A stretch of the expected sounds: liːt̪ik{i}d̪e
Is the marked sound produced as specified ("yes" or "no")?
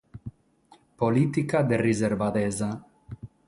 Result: no